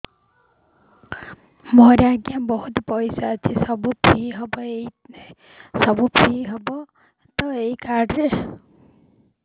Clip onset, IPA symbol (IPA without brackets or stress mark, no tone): m